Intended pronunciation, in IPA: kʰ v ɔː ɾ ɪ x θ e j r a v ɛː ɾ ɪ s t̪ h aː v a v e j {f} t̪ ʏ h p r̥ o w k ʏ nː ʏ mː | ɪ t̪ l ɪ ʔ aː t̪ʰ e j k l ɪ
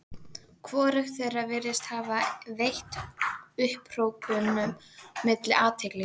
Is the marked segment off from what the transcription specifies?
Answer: yes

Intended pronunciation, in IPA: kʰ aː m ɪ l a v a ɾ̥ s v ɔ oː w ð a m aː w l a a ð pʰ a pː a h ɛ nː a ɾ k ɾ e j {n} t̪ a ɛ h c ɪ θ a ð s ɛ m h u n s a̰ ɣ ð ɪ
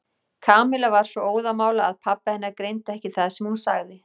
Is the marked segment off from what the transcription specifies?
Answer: no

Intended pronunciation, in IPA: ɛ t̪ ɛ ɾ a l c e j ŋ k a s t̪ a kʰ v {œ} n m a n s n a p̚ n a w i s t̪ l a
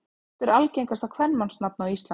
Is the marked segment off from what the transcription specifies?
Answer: yes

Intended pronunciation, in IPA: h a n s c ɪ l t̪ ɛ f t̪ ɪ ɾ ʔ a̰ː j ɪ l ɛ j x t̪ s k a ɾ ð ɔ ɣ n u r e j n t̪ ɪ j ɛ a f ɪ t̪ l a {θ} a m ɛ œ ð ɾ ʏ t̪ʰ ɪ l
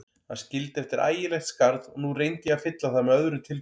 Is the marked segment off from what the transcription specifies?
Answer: no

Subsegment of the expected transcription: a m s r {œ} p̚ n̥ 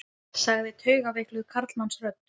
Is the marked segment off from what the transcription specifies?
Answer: no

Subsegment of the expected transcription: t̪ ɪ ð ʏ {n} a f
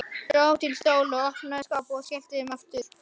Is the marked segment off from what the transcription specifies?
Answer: yes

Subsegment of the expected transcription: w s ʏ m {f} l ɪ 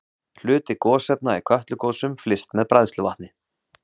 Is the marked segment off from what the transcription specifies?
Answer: no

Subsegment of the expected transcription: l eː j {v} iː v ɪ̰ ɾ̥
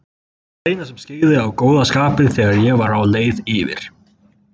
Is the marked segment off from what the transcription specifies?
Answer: yes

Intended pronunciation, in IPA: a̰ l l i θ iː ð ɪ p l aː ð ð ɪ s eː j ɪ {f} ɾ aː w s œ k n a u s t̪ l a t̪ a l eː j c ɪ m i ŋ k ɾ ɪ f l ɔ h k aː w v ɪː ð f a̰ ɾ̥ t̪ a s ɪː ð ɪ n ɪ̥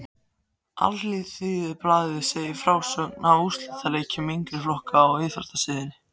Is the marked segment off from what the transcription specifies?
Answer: no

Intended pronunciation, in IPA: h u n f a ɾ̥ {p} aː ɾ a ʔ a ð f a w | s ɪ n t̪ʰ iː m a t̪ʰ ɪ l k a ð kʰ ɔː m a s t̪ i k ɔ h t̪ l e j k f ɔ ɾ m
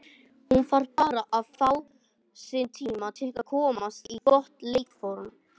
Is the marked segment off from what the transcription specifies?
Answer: no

